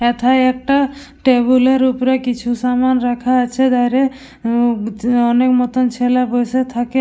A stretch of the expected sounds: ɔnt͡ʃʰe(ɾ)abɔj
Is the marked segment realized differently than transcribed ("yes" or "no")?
yes